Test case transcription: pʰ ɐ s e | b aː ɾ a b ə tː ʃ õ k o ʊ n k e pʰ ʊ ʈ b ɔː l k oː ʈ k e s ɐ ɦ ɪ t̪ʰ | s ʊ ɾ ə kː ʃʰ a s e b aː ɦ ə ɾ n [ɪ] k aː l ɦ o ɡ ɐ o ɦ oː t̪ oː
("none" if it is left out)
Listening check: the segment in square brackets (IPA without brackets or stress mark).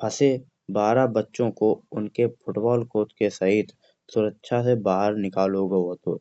ɪ